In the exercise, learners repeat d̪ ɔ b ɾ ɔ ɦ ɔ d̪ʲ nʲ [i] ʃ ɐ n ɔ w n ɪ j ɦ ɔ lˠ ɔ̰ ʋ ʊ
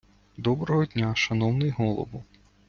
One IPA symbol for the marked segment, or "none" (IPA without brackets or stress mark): a